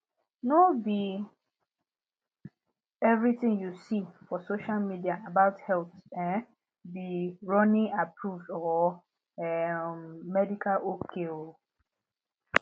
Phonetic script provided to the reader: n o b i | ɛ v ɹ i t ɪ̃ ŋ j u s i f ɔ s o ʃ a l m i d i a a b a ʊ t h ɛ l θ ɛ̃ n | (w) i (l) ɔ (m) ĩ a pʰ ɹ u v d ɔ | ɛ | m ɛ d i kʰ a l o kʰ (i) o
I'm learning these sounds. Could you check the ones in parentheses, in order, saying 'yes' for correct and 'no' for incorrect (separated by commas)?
no, no, no, no